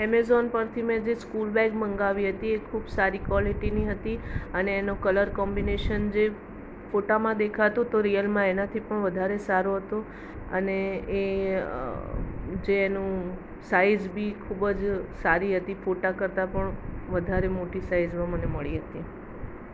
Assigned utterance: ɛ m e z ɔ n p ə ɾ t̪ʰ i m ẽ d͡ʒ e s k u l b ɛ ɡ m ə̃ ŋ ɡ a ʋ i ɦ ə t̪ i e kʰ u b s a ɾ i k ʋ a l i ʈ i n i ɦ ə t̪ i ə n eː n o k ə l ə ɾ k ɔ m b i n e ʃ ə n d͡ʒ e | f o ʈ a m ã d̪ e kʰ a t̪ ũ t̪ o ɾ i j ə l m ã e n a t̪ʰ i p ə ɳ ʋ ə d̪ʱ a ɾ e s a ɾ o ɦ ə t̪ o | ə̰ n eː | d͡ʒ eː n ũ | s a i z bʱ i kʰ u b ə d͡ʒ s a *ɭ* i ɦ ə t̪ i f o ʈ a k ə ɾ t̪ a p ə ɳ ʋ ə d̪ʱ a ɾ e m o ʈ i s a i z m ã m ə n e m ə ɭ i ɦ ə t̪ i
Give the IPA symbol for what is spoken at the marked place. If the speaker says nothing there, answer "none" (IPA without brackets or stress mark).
ɾ